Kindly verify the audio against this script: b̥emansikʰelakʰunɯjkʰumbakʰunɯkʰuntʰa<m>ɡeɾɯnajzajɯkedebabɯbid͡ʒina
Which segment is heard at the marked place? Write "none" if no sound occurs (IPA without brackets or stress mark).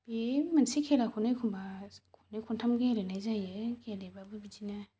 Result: m